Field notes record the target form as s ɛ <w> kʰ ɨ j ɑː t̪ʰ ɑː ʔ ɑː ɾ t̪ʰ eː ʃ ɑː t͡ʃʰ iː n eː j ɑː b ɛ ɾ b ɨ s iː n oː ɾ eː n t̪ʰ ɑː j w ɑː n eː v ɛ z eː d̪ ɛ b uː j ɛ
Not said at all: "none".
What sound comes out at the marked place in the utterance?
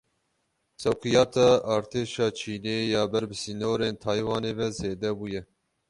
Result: w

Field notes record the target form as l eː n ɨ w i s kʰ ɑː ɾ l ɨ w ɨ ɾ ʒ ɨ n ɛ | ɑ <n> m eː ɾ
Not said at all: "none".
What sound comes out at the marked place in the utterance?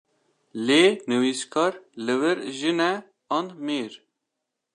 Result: n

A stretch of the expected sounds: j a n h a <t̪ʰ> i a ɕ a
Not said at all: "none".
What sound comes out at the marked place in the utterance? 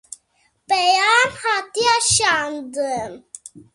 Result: t̪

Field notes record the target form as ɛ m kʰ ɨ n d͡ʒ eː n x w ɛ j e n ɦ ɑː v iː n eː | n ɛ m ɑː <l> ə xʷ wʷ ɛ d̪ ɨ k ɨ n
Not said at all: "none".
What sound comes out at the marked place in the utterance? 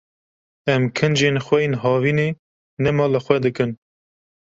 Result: l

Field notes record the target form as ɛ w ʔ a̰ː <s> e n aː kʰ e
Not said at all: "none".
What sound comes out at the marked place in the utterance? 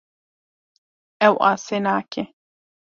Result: s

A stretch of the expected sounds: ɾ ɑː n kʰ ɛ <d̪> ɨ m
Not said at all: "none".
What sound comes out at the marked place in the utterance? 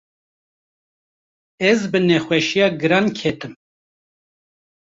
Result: t̪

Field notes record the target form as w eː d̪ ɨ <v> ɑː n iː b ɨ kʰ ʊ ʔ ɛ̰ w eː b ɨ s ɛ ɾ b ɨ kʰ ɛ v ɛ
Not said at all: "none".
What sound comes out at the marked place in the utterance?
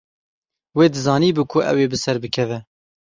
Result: z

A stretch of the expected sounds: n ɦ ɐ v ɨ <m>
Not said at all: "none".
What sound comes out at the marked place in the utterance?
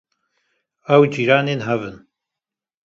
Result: n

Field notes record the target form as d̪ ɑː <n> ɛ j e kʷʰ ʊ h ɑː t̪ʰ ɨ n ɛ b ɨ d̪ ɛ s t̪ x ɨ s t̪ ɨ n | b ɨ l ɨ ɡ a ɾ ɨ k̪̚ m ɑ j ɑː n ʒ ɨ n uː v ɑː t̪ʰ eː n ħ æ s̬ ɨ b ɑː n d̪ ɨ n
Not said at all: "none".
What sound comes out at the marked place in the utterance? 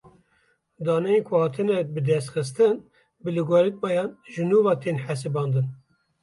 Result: n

